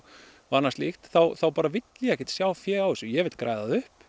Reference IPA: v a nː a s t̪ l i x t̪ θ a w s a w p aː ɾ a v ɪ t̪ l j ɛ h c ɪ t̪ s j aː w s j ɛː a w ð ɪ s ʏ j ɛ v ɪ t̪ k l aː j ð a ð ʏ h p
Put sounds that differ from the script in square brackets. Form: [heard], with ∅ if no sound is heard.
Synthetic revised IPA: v a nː a s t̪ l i x t̪ θ a w [θ] a w p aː ɾ a v ɪ t̪ l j ɛ h c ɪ t̪ s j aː w [f] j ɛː a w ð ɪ s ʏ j ɛ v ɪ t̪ k [ɾ] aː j ð a ð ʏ h p